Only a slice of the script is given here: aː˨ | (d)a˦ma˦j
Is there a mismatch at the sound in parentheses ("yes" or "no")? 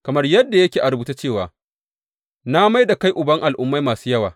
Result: yes